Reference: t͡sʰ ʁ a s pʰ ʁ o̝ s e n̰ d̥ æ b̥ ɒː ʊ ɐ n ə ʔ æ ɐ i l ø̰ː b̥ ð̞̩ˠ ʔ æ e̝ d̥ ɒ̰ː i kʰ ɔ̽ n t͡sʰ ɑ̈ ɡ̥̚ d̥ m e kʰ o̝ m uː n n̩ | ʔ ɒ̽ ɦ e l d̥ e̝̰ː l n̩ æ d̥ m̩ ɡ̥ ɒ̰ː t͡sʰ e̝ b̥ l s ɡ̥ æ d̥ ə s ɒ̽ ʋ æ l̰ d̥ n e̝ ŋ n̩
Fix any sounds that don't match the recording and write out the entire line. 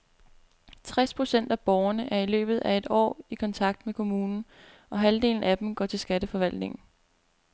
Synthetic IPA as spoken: t͡sʰ ʁ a s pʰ ʁ o̝ s e n̰ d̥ æ b̥ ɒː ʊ ɐ n ə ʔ æ ɐ i l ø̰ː b̥ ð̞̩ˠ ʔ æ e̝ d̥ ɒ̰ː i kʰ ɒ̽ n t͡sʰ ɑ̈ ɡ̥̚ d̥ m e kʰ o̝ m uː n n̩ | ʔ ɒ̽ ɦ æ l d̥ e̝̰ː l n̩ æ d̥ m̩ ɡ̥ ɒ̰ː t͡sʰ e̝ l s ɡ̥ æ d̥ ə f ɒ̽ ʋ æ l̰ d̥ n e̝ ŋ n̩